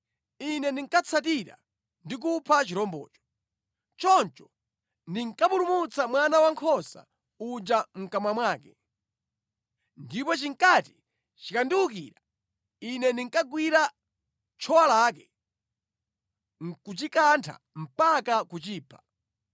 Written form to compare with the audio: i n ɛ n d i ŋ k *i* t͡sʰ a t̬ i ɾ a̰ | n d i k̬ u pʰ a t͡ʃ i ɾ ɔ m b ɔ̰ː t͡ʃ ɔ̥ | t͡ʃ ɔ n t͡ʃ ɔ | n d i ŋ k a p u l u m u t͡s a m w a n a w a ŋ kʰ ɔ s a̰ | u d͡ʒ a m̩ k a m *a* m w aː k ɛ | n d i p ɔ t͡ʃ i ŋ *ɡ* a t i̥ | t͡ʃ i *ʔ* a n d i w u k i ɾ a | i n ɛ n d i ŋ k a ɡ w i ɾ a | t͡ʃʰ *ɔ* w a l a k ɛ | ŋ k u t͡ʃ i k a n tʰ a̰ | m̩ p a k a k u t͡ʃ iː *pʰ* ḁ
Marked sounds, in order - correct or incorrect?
incorrect: a, correct, incorrect: k, incorrect: k, correct, correct

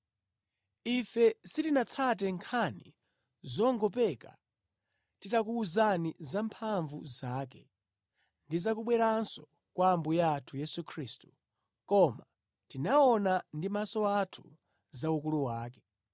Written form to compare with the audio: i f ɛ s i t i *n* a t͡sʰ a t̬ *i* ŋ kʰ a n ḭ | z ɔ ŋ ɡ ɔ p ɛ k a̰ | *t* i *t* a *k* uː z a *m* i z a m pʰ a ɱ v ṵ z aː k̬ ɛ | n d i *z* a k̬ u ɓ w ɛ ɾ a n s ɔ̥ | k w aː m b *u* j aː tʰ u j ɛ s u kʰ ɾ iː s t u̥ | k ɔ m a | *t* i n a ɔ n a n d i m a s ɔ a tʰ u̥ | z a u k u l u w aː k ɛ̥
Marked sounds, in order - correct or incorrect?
correct, incorrect: ɛ, correct, correct, correct, incorrect: n, correct, correct, correct

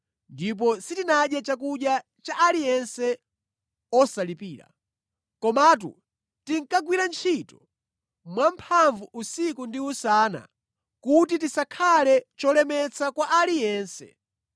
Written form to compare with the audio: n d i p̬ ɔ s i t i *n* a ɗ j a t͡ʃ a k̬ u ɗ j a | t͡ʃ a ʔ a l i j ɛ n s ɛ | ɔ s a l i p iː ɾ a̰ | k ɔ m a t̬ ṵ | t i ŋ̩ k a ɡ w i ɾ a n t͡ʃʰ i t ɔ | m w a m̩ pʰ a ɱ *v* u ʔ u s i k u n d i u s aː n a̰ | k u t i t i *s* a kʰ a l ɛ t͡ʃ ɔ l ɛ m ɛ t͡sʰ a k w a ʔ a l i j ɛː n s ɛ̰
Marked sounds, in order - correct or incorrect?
correct, correct, correct

